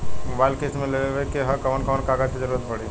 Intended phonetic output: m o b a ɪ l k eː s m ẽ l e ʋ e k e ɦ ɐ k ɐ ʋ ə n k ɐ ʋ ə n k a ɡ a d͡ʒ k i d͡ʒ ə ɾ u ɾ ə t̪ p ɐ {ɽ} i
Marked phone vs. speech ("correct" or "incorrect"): correct